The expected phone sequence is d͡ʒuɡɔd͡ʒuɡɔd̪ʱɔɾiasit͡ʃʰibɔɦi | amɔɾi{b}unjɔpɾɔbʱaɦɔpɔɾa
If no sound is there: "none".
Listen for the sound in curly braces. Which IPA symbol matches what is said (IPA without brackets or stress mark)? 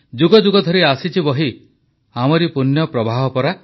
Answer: p